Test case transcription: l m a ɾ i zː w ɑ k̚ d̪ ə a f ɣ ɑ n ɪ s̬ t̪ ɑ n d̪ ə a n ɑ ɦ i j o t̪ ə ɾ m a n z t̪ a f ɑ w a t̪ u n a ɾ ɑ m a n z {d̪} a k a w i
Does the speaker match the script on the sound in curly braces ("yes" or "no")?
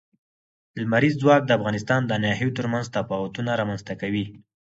no